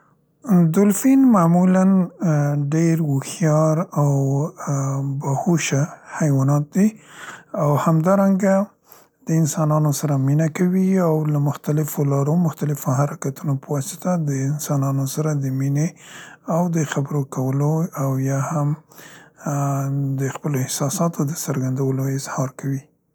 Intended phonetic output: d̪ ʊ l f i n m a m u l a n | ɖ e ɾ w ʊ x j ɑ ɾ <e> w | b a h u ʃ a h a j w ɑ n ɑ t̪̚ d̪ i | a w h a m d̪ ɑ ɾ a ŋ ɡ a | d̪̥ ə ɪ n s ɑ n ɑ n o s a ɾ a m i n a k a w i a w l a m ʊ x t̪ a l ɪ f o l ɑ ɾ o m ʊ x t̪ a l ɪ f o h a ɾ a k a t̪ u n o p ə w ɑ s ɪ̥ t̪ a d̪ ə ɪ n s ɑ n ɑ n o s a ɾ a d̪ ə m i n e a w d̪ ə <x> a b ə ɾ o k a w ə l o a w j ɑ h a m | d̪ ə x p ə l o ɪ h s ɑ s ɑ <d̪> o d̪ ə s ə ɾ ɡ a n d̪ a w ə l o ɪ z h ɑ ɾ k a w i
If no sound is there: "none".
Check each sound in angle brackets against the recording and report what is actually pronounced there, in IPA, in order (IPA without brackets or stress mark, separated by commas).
a, x, t̪